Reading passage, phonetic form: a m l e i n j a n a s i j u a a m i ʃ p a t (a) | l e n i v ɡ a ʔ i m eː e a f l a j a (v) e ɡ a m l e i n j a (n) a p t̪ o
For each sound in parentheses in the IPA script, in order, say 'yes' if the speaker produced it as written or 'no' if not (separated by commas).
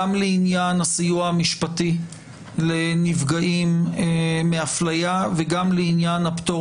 no, yes, yes